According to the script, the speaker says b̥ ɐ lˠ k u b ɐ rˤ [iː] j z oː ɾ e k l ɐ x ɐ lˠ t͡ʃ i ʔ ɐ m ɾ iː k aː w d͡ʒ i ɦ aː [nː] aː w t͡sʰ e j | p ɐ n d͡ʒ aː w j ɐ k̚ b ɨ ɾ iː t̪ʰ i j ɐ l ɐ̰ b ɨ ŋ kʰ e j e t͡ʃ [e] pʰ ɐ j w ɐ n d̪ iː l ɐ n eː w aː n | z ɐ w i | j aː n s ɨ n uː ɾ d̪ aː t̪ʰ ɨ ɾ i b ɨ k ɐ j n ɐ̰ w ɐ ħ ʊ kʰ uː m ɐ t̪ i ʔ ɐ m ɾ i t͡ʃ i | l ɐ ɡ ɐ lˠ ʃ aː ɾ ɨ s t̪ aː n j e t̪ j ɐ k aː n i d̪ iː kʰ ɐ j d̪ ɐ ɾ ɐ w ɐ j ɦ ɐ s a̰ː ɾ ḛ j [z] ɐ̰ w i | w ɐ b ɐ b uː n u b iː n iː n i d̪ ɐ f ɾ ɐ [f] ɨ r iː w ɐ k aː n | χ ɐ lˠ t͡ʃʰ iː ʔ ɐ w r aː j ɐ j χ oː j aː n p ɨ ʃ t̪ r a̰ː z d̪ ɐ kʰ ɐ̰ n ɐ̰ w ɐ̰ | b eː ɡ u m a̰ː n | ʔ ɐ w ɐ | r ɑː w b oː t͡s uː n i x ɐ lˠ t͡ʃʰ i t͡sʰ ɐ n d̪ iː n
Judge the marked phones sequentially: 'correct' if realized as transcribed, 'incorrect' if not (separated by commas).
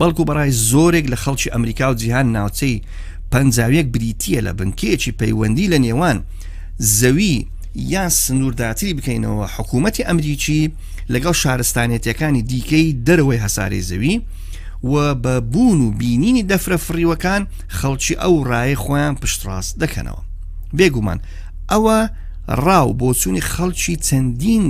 incorrect, correct, incorrect, correct, correct